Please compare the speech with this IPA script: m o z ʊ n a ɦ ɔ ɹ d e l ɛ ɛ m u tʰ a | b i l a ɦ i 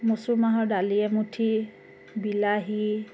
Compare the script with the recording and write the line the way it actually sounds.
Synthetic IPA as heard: m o s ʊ m a ɦ ɔ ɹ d a l i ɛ m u tʰ i | b i l a ɦ i